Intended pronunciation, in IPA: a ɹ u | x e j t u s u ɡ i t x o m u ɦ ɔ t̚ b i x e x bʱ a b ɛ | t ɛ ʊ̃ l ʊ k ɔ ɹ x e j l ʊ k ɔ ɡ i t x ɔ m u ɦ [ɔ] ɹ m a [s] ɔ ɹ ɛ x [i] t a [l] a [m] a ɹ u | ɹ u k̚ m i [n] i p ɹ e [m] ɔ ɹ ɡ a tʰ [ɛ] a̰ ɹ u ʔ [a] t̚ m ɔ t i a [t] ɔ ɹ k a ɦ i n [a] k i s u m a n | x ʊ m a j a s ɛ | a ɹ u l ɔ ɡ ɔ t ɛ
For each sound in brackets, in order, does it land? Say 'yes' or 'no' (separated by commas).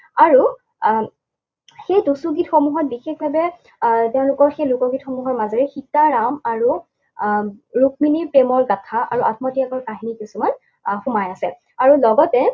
yes, no, yes, no, yes, yes, yes, no, yes, no, no